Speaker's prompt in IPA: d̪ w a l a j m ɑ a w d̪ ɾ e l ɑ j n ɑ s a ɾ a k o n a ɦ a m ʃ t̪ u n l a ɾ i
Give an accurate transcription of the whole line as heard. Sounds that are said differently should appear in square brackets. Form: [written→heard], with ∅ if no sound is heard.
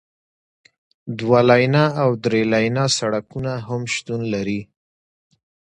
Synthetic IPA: d̪ w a l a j [m→n] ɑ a w d̪ ɾ e l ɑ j n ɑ s a [ɾ→ɽ] a k [o→u] n a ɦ a m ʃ t̪ u n l a ɾ i